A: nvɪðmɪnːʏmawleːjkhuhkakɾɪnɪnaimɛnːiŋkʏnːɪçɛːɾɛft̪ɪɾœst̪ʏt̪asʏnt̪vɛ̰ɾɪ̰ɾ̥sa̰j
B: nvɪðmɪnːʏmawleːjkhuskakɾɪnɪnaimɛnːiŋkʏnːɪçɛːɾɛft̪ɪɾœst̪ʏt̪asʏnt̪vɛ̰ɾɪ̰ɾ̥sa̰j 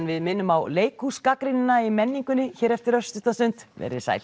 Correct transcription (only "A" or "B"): B